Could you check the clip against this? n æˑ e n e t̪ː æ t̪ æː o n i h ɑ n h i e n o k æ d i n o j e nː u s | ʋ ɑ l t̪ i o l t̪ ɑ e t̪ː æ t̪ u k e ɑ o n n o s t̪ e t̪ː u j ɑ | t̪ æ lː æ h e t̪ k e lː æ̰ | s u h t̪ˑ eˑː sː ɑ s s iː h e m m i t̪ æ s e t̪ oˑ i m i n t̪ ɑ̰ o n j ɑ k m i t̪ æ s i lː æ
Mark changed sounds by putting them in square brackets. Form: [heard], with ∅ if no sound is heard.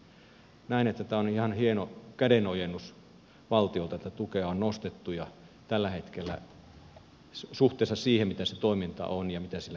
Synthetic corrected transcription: n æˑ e n e t̪ː æ t̪ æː o n i h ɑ n h i e n o k æ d [e] n o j e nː u s | ʋ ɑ l t̪ i o l t̪ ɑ e t̪ː æ t̪ u k e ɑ o n n o s t̪ e t̪ː u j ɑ | t̪ æ lː æ h e t̪ k e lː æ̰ | s u h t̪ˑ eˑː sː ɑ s s iː h e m m i t̪ æ s e t̪ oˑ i m i n t̪ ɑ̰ o n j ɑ [∅] m i t̪ æ s i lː æ